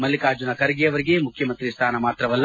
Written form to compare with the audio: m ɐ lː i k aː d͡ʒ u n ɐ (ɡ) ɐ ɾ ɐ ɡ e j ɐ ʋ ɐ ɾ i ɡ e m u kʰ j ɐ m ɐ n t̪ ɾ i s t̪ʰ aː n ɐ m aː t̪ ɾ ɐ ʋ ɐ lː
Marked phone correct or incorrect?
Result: incorrect